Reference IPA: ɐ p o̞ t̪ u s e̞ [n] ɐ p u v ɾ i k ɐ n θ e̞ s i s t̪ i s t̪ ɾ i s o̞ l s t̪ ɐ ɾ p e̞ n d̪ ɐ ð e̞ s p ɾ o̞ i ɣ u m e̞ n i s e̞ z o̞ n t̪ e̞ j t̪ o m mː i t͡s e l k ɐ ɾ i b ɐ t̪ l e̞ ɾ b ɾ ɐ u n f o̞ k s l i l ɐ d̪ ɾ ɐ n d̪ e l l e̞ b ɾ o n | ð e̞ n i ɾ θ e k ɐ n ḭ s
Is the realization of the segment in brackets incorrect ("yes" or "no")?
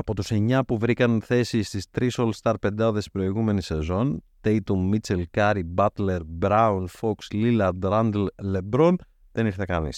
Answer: yes